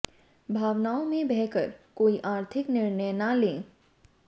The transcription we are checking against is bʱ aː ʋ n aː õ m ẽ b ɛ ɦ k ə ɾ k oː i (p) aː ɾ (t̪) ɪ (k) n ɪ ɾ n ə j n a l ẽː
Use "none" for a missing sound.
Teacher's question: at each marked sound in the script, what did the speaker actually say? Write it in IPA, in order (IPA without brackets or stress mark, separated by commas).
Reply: ʔ, t̪ʰ, k